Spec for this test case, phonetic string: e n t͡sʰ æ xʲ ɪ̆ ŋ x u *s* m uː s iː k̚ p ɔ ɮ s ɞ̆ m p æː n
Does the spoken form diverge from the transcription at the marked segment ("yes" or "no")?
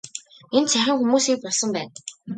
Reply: yes